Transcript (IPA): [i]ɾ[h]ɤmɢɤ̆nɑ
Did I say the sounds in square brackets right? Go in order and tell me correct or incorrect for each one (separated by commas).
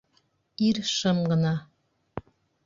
correct, incorrect